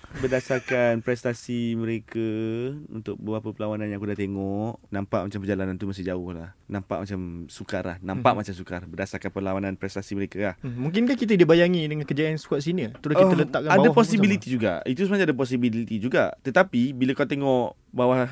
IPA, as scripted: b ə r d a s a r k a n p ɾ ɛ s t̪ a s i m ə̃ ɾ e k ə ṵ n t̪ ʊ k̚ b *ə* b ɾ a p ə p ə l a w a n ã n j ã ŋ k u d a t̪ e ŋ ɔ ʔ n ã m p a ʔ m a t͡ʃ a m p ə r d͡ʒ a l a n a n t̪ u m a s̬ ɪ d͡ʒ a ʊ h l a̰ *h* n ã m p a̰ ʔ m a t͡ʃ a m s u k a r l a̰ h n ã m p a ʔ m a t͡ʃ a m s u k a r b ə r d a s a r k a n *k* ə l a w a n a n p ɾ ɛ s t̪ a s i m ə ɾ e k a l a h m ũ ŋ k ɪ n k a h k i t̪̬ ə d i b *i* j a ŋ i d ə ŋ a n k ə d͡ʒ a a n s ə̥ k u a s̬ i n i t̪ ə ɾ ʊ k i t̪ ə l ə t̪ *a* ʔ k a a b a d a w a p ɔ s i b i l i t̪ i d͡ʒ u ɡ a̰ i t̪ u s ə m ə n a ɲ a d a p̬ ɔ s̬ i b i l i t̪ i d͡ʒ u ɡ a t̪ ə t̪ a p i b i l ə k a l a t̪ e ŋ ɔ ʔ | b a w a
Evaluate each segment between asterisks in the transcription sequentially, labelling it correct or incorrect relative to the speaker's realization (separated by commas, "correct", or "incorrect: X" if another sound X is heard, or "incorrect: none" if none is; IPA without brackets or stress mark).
correct, correct, incorrect: p, incorrect: a, correct